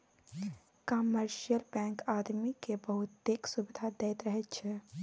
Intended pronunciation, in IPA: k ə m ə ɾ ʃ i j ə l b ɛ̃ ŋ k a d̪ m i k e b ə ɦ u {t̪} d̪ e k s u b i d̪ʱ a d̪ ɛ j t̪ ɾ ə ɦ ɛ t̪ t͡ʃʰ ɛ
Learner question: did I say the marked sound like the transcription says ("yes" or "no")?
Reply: yes